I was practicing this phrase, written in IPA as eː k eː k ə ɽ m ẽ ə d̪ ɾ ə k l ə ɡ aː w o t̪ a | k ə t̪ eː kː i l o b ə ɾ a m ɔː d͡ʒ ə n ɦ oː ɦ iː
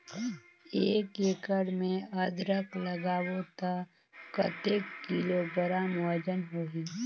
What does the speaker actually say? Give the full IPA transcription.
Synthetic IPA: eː k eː k ə ɽ m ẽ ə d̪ ɾ ə k l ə ɡ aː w o t̪ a | k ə t̪ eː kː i l o b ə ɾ a m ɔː d͡ʒ ə n ɦ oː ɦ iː